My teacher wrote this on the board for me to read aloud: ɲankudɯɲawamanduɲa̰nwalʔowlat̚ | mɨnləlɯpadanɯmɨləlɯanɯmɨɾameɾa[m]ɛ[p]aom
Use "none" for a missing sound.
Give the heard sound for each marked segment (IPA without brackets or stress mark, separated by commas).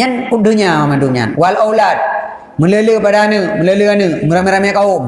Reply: m, k